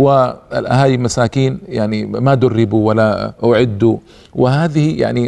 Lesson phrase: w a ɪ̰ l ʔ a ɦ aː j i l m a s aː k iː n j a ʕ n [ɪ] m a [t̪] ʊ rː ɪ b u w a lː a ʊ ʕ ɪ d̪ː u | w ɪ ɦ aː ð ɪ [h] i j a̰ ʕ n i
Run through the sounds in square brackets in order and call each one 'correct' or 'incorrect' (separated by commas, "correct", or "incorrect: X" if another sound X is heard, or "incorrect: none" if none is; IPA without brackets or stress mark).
incorrect: i, incorrect: d̪, correct